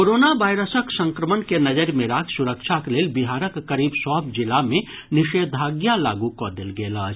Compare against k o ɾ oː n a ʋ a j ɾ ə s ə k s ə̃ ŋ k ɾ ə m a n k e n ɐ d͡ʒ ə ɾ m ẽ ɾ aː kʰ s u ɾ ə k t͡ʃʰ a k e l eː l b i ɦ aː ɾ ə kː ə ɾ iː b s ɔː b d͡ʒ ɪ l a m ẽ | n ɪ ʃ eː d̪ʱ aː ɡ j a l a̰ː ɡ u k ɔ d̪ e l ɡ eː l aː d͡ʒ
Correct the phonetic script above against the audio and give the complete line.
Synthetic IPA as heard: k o ɾ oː n a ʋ a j ɾ ə s ə k s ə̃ ŋ k ɾ ə m ə n k e n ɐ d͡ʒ ə ɾ m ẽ ɾ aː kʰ s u ɾ ə k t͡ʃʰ a k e l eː l b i ɦ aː ɾ ə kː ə ɾ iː b s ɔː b d͡ʒ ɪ l a m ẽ | n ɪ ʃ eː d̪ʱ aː ɡ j a l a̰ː ɡ u k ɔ d̪ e l ɡ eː l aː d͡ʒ